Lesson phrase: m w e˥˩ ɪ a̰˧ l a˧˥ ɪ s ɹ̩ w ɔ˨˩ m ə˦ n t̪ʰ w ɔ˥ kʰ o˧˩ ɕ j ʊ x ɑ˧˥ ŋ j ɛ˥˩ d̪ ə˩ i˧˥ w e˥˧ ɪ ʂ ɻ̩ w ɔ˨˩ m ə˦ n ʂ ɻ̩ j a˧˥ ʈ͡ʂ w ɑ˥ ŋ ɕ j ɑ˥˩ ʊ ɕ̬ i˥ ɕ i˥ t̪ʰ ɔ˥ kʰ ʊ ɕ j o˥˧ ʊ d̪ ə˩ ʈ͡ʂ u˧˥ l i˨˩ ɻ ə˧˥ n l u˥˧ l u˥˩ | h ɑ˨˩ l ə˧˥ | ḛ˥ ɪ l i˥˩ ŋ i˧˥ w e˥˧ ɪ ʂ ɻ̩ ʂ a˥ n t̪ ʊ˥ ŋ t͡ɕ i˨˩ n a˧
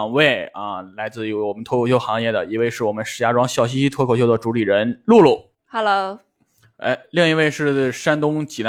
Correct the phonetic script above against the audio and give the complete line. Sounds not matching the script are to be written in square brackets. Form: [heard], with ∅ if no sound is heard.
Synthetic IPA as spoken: [ŋ] w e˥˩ ɪ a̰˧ l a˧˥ ɪ [t͡s] ɹ̩ w ɔ˨˩ m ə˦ n t̪ʰ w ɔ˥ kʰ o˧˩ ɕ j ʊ x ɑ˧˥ ŋ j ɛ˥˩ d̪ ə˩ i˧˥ w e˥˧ ɪ ʂ ɻ̩ w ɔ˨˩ m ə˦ n ʂ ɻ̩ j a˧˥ ʈ͡ʂ w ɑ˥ ŋ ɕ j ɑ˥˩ ʊ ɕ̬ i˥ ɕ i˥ t̪ʰ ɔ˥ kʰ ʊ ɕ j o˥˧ ʊ d̪ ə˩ ʈ͡ʂ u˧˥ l i˨˩ ɻ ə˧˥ n l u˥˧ l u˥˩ | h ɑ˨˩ l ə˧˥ | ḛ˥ ɪ l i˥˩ ŋ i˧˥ w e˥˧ ɪ ʂ ɻ̩ ʂ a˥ n t̪ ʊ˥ ŋ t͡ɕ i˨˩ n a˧